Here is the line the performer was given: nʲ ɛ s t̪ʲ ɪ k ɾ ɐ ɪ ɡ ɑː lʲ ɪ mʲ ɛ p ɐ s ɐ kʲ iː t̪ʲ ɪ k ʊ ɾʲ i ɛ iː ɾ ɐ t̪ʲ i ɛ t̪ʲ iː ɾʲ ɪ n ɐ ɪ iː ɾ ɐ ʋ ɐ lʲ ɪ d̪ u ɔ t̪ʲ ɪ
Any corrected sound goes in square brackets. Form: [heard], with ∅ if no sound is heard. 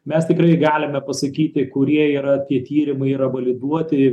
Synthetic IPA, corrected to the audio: [mʲ] ɛ s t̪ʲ ɪ k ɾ ɐ ɪ ɡ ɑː lʲ ɪ mʲ ɛ p ɐ s ɐ kʲ iː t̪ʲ ɪ k ʊ ɾʲ i ɛ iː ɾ ɐ t̪ʲ i ɛ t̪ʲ iː ɾʲ ɪ [m] ɐ ɪ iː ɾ ɐ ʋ ɐ lʲ ɪ d̪ u ɔ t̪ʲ ɪ